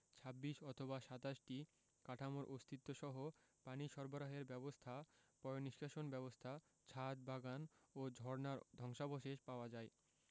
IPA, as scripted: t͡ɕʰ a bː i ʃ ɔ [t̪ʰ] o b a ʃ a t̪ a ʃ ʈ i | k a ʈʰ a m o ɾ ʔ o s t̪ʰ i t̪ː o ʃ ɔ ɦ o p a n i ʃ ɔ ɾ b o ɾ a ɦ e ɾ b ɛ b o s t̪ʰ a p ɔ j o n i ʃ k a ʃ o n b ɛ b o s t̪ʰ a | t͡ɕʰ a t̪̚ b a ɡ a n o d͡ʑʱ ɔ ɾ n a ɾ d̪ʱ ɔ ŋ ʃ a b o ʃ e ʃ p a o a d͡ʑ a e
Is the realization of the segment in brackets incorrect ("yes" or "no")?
no